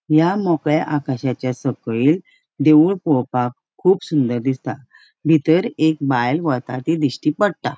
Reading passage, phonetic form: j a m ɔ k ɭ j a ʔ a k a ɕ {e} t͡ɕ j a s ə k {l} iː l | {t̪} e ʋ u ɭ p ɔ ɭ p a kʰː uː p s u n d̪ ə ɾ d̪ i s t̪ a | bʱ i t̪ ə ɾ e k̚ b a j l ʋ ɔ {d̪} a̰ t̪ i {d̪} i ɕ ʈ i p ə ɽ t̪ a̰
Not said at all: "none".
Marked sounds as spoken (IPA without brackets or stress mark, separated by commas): a, ɭ, d̪, t̪, d̪